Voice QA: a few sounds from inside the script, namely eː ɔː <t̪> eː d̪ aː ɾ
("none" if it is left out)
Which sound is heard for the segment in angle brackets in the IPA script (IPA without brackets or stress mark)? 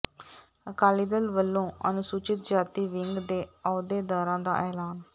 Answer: d̪